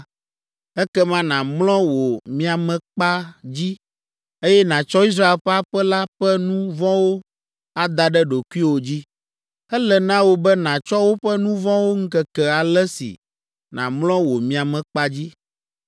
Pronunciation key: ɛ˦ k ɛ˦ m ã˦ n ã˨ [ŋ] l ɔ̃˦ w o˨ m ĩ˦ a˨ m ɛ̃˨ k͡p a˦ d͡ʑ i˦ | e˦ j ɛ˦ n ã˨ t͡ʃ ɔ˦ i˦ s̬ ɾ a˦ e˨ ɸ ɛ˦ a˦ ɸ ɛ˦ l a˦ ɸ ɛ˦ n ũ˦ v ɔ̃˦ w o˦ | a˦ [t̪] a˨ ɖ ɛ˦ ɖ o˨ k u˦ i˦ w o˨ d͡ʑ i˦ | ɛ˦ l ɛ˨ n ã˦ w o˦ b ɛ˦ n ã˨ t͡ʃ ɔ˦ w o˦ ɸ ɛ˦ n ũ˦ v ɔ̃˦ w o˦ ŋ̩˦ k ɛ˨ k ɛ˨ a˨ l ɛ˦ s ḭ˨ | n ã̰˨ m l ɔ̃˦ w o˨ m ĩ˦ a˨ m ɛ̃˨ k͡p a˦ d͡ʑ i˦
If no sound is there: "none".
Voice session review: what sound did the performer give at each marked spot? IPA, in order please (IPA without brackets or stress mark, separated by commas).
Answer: m, d̪